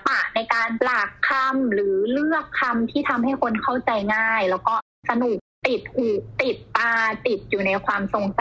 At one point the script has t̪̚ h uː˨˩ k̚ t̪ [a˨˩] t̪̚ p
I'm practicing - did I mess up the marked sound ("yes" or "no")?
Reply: yes